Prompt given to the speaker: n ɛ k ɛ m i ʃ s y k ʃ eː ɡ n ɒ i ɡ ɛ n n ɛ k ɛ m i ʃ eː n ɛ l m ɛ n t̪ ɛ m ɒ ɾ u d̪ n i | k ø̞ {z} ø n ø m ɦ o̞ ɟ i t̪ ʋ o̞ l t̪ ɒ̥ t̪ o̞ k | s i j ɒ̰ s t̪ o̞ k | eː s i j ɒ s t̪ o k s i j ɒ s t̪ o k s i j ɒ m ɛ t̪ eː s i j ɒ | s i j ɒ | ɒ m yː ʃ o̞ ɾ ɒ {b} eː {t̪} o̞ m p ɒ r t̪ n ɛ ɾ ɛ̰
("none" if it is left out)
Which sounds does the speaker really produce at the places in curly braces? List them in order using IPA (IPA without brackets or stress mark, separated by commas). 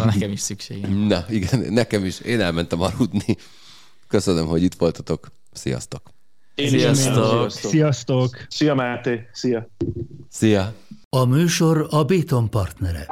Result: s, b, t̪